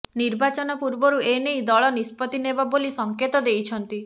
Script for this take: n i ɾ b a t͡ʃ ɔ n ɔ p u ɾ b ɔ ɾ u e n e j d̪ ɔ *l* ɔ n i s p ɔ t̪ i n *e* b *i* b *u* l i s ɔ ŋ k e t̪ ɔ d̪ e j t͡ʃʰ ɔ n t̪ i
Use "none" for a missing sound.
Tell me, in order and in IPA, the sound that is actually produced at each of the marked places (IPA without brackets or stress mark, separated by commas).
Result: ɭ, e, a, o